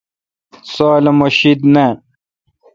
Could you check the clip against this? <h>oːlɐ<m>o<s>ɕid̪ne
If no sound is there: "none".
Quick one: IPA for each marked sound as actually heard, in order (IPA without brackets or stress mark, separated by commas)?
s, m, none